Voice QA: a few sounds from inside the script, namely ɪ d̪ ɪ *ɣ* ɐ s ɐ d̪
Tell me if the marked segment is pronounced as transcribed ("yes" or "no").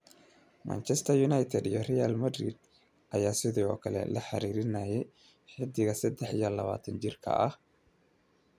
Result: yes